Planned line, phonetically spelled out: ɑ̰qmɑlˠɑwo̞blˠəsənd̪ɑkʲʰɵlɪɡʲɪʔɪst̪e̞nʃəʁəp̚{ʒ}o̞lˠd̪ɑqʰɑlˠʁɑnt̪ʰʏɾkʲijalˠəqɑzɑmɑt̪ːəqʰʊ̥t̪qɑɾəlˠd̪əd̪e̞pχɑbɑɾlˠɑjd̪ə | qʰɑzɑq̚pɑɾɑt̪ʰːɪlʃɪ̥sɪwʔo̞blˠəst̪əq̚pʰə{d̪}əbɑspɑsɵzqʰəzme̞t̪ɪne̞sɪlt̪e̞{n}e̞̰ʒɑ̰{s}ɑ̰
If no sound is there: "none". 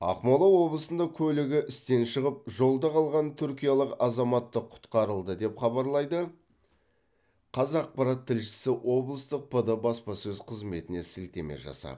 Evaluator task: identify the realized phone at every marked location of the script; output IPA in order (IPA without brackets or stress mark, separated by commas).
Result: ʒ, d̪, m, s